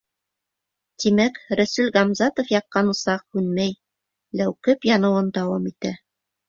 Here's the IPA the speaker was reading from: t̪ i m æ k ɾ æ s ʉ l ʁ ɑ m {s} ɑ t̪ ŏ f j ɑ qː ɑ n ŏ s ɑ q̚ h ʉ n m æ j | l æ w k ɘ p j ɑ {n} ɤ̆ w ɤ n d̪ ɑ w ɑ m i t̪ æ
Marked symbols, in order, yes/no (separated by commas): no, yes